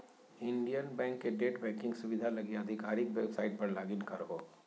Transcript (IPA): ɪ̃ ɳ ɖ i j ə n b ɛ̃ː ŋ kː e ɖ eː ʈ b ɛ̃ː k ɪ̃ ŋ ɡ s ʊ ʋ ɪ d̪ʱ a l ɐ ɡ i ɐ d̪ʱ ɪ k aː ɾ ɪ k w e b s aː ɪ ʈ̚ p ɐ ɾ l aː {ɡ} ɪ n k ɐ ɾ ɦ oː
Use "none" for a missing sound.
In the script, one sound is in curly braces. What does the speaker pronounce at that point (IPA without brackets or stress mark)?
ɡ